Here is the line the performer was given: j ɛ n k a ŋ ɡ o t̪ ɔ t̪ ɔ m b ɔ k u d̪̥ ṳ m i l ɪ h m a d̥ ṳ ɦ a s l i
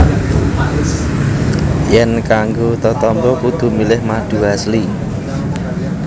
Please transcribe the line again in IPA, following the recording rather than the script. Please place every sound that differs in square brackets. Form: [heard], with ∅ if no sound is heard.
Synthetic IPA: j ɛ n k a ŋ ɡ o t̪ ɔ t̪ ɔ m b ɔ k u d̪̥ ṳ m i l ɪ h m a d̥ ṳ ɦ a s l i